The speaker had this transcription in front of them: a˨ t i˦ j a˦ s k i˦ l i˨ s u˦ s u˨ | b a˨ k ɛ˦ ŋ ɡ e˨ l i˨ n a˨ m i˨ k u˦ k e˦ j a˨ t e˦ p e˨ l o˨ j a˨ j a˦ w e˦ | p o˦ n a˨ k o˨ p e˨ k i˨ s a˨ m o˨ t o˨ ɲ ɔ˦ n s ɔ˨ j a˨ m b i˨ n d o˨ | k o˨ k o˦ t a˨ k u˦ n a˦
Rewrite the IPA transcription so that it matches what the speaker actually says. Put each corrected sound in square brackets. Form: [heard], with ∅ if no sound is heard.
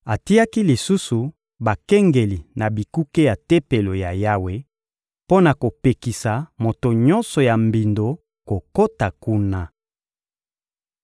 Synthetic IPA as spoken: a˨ t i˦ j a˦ [∅] k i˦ l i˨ s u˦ s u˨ | b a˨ k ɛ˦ ŋ ɡ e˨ l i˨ n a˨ [b] i˨ k u˦ k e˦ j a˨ t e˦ p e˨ l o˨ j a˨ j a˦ w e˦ | p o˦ n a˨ k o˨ p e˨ k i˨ s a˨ m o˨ t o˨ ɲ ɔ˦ n s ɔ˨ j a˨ m b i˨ n d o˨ | k o˨ k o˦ t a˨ k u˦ n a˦